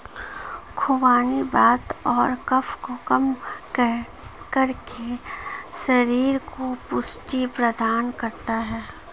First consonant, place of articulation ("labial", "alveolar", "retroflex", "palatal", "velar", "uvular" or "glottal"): velar